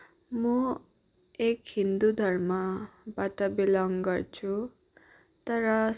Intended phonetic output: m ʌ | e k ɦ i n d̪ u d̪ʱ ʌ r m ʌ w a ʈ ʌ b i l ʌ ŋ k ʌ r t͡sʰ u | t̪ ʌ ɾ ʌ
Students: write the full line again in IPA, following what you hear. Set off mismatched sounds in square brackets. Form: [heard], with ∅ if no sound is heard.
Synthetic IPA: m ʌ | e k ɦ i n d̪ u d̪ʱ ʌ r m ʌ [b] a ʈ ʌ b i l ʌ ŋ [ɡ] ʌ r t͡sʰ u | t̪ ʌ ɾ ʌ

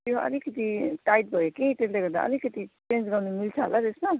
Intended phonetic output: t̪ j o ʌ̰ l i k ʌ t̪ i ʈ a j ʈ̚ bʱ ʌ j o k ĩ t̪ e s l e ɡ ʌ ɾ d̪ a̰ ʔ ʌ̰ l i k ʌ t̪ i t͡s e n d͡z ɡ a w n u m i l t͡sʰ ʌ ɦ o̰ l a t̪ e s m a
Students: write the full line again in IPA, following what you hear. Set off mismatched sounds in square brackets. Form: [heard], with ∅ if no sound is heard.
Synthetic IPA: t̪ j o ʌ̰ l i k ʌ t̪ i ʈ a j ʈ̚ bʱ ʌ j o k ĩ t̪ e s l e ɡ ʌ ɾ d̪ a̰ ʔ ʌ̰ l i k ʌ t̪ i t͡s e n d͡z ɡ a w n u m i l t͡sʰ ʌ ɦ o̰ l a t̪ e s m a

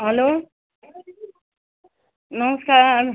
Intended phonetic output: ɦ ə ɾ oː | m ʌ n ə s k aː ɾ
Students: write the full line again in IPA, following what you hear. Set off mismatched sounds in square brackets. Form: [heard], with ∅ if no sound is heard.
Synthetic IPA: ɦ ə [l] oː | [n] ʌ [m] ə s k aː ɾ

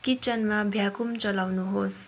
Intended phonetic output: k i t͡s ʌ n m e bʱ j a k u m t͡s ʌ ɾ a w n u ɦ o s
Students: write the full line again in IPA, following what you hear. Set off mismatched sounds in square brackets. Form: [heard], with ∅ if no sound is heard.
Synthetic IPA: k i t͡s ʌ n m [a] bʱ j a k u m t͡s ʌ [l] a w n u ɦ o s

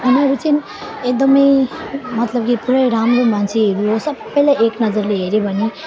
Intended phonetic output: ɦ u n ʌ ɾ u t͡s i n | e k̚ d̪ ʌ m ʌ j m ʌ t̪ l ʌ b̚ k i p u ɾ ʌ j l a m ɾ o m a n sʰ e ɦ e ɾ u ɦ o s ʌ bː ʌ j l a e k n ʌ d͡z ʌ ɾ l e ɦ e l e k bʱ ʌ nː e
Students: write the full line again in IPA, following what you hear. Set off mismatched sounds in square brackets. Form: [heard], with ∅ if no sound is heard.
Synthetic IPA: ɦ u n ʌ ɾ u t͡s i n | e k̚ d̪ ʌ m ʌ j m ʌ t̪ l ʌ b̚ k i p u ɾ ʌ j [ɾ] a m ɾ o m a n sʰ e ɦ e ɾ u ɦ o s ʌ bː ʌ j l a e k n ʌ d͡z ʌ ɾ l e ɦ e [ɾ] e [∅] bʱ ʌ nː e

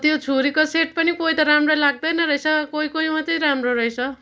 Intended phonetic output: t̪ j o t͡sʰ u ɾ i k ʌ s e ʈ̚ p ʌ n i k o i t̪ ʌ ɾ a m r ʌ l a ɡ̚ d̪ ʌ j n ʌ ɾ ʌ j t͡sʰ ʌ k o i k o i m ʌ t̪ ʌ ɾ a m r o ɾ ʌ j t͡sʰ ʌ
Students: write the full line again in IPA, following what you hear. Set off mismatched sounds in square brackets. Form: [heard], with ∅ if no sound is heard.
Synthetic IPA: t̪ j o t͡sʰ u ɾ i k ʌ s e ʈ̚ p ʌ n i k o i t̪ ʌ ɾ a m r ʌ l a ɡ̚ d̪ ʌ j n ʌ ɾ ʌ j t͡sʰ ʌ k o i k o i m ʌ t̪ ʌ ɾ a m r o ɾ ʌ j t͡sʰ ʌ

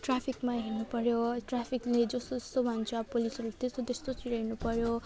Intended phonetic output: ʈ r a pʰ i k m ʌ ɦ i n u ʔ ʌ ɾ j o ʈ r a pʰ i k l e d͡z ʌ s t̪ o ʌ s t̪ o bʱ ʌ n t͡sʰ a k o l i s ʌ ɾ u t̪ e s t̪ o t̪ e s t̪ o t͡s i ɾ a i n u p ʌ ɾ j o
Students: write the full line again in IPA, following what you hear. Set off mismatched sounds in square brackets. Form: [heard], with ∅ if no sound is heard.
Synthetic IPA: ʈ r a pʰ i k m [a] ɦ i n u [p] ʌ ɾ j o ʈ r a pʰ i k l e d͡z ʌ s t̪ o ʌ s t̪ o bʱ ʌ n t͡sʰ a [p] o l i s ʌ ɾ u t̪ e s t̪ o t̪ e s t̪ o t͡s i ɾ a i n u p ʌ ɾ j o

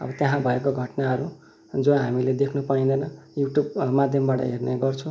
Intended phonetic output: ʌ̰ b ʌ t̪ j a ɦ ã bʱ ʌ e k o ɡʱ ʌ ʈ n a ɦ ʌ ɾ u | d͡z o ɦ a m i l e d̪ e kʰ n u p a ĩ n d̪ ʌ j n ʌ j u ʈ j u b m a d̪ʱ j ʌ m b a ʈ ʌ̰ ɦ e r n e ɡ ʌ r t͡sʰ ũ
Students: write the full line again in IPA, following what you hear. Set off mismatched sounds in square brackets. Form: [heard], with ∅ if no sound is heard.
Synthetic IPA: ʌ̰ b ʌ t̪ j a ɦ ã bʱ ʌ e k o ɡʱ ʌ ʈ n a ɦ ʌ ɾ u | d͡z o ɦ a m i l e d̪ e kʰ n u p a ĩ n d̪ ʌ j n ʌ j u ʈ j u b m a d̪ʱ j ʌ m b a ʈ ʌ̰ ɦ e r n e ɡ ʌ r t͡sʰ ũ

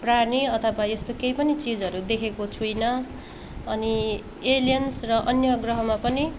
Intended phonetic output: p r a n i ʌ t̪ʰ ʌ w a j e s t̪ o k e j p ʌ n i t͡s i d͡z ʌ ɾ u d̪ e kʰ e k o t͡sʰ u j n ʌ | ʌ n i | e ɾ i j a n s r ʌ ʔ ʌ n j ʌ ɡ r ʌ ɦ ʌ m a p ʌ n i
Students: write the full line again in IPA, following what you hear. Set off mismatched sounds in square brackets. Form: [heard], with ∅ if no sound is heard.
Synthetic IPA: p r a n i ʌ t̪ʰ ʌ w a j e s t̪ o k e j p ʌ n i t͡s i d͡z ʌ ɾ u d̪ e kʰ e k o t͡sʰ u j n ʌ | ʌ n i | e [l] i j [ʌ] n s r ʌ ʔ ʌ n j ʌ ɡ r ʌ ɦ ʌ m a p ʌ n i

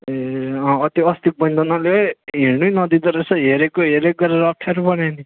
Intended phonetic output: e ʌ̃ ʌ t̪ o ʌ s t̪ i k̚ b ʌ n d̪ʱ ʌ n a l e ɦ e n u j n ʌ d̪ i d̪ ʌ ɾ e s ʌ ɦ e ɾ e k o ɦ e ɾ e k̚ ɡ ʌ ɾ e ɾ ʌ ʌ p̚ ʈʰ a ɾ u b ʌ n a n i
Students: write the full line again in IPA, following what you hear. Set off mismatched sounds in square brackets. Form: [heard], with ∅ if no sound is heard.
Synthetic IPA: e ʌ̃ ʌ t̪ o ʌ s t̪ i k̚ b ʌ n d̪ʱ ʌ n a l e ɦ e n u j n ʌ d̪ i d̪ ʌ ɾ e s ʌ ɦ e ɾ e k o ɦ e ɾ e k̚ ɡ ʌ ɾ e ɾ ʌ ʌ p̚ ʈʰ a ɾ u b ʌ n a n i

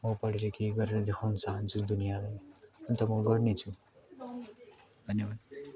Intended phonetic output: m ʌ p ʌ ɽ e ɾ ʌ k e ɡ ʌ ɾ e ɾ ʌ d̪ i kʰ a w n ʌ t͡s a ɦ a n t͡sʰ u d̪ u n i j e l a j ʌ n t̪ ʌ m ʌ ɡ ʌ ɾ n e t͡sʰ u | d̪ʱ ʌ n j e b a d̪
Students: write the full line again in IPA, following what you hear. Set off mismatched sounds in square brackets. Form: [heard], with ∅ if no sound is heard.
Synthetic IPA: m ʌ p ʌ ɽ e ɾ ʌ k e ɡ ʌ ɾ e ɾ ʌ d̪ [e] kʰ a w n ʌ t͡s a ɦ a n t͡sʰ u d̪ u n i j [a] l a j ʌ n t̪ ʌ m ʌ ɡ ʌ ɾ n e t͡sʰ u | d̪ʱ ʌ n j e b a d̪

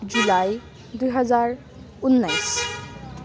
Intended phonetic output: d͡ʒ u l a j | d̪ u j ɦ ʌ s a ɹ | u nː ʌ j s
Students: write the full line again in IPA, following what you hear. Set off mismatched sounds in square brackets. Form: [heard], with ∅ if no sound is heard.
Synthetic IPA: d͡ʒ u l a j | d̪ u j ɦ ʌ [z] a ɹ | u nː [a] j s

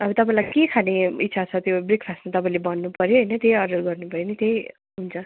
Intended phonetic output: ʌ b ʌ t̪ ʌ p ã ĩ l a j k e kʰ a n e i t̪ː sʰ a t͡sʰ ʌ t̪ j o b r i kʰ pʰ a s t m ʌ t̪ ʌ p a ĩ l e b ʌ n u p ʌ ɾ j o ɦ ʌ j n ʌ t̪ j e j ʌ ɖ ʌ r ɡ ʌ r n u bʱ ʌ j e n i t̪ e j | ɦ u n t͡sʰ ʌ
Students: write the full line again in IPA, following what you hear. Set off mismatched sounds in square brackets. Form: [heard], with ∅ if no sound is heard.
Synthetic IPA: ʌ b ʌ t̪ ʌ p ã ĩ l a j k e kʰ a n e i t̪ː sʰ a t͡sʰ ʌ t̪ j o b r i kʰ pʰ a s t m [a] t̪ ʌ p a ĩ l e b ʌ [nː] u p ʌ ɾ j o ɦ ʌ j n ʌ t̪ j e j ʌ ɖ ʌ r ɡ ʌ r n u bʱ ʌ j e n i t̪ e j | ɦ u n t͡sʰ ʌ

